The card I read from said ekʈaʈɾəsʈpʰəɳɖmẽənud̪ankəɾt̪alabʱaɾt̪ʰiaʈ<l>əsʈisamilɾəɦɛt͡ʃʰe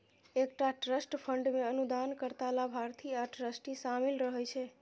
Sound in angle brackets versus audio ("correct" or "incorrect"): incorrect